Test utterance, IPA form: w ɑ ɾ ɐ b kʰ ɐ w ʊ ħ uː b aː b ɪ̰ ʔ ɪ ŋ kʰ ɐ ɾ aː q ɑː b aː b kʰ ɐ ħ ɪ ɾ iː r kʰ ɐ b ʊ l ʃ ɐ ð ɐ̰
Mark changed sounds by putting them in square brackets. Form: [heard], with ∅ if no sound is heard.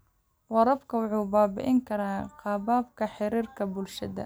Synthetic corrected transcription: w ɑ ɾ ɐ b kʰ ɐ w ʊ ħ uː b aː b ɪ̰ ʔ ɪ ŋ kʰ ɐ ɾ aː q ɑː b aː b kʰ ɐ ħ ɪ ɾ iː r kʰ ɐ b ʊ l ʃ ɐ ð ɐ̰